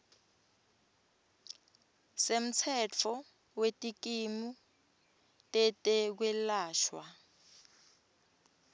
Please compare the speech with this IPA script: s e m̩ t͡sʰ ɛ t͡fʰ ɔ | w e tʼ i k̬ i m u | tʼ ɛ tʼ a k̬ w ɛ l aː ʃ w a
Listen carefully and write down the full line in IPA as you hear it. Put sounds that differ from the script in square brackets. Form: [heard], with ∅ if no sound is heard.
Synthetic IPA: s e m̩ t͡sʰ ɛ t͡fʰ ɔ | w e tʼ i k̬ i m u | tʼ ɛ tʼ [ɛ] k̬ w ɛ l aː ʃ w a